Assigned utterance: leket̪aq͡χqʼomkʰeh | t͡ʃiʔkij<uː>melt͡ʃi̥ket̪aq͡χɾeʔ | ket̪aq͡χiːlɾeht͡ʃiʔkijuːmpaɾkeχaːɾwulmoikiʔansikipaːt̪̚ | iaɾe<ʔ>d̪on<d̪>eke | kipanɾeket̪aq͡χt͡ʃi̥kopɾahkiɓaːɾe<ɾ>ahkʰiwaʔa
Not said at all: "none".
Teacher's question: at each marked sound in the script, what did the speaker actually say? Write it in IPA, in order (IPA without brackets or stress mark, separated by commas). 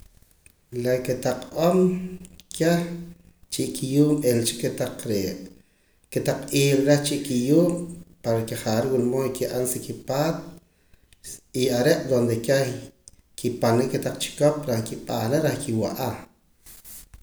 uː, ʔ, d̪, ɾ